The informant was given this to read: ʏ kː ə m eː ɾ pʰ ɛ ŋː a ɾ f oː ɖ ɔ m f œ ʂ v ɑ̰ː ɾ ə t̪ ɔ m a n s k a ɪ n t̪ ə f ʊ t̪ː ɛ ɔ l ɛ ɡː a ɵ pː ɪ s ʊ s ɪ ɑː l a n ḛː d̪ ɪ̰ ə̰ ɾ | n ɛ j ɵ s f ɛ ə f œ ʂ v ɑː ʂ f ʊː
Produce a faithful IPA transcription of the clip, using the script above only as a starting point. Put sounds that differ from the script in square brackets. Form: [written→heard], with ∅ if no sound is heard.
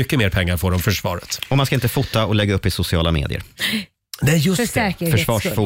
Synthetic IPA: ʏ kː ə m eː ɾ pʰ ɛ ŋː a ɾ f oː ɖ ɔ m f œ ʂ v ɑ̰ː ɾ ə t̪ ɔ m a n s k a ɪ n t̪ ə f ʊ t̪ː [ɛ→a] ɔ l ɛ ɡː a ɵ pː ɪ s ʊ s ɪ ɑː l a [n→m] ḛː d̪ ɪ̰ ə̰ ɾ | n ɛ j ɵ s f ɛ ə f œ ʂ v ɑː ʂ f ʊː